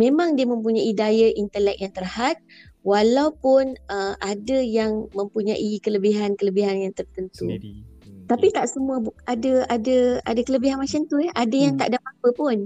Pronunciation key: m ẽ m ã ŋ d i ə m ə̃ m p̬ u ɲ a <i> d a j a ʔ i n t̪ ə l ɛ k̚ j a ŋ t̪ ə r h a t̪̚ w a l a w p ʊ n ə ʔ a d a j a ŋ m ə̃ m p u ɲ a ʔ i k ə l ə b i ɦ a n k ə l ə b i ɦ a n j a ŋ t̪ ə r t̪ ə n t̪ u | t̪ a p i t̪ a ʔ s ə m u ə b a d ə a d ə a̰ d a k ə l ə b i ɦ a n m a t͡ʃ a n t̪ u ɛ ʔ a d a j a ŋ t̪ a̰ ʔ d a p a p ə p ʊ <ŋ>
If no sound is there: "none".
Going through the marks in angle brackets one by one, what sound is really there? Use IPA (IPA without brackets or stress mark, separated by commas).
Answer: i, n